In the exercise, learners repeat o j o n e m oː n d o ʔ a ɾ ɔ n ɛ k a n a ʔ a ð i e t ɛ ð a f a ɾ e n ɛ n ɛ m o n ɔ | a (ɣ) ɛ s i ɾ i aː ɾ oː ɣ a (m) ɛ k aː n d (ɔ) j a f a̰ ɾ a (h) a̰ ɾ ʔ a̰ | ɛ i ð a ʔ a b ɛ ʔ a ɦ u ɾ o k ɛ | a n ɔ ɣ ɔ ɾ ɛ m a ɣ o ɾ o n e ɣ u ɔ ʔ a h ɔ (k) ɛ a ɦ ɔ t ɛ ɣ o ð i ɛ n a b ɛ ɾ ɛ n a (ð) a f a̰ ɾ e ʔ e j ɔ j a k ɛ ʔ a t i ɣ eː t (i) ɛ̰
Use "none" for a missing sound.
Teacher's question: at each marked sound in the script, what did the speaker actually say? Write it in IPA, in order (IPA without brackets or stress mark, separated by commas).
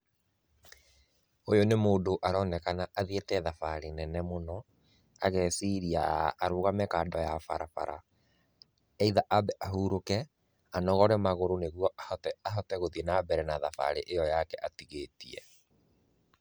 ɣ, m, ɔ, f, t, ð, i